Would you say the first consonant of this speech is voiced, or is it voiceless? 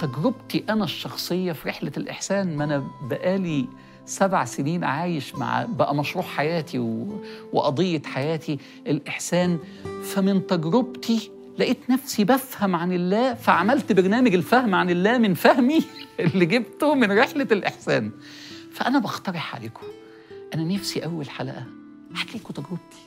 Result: voiceless